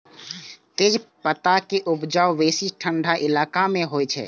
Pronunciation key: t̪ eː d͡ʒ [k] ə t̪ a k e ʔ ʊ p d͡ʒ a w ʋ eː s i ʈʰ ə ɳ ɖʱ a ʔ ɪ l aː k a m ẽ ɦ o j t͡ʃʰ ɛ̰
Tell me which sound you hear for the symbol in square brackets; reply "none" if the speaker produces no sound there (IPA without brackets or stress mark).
p